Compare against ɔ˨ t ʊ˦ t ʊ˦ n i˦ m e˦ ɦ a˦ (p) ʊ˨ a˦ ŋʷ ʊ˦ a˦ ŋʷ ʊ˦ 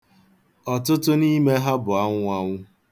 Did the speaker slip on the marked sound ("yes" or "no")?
yes